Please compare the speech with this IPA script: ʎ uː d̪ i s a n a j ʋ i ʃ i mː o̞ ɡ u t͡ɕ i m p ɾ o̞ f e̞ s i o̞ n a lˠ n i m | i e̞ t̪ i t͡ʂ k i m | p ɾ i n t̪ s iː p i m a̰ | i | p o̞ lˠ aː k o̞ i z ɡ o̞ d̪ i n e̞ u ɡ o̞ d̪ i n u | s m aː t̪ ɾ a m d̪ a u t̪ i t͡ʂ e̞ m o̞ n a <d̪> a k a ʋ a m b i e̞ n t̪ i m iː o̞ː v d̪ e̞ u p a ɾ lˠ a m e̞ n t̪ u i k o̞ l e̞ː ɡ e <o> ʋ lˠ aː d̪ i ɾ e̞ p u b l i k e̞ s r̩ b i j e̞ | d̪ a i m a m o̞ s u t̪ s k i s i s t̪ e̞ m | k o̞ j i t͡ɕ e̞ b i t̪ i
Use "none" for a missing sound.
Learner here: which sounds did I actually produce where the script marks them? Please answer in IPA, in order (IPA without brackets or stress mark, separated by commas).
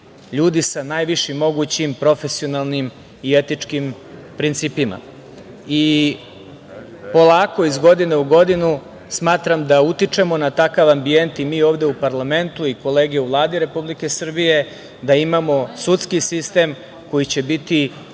t̪, u